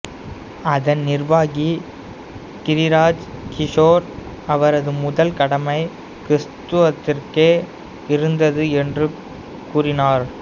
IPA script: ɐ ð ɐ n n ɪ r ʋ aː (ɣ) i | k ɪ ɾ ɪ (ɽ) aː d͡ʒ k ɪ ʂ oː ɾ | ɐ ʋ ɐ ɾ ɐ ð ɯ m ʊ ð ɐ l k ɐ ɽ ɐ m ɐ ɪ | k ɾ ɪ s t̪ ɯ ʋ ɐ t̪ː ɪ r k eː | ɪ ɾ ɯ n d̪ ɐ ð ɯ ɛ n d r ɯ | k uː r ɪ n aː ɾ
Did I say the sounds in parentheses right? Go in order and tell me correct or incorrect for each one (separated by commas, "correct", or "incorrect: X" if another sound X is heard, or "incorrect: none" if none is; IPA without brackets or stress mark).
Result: correct, incorrect: ɾ